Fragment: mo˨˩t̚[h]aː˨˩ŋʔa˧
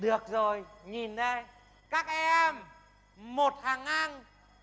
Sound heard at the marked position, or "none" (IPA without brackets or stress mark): h